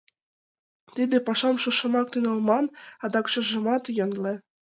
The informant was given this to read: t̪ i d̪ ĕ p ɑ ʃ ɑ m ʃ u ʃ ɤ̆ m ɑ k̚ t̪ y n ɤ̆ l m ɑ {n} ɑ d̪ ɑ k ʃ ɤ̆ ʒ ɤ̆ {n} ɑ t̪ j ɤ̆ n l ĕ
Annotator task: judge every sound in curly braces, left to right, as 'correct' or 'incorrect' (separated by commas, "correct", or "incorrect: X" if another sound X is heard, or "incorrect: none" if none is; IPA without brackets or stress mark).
correct, incorrect: m